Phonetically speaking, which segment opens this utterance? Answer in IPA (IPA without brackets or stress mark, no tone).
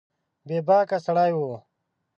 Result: b